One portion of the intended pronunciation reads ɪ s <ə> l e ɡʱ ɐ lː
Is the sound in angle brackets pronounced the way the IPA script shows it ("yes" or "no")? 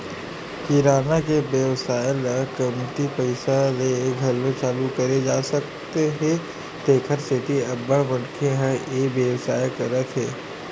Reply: no